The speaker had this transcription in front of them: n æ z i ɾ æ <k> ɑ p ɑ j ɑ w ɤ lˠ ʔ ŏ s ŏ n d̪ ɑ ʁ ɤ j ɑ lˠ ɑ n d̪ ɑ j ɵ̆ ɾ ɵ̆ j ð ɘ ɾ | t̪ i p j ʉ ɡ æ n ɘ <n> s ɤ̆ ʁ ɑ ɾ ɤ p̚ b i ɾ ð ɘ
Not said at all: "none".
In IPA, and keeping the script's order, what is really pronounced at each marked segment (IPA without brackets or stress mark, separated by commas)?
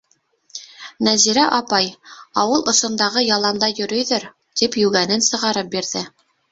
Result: ʔ, n